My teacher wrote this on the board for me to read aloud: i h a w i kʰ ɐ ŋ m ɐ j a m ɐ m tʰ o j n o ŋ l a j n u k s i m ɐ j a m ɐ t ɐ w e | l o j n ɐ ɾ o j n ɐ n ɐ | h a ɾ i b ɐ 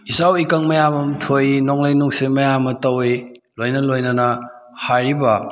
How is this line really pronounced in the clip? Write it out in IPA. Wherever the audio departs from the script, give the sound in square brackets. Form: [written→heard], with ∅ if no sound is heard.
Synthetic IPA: i [h→s] a w i [kʰ→k] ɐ ŋ m ɐ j a m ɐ m tʰ o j n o ŋ l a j n u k s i m ɐ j a m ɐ t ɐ w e | l o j n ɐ [ɾ→l] o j n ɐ n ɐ | h a ɾ i b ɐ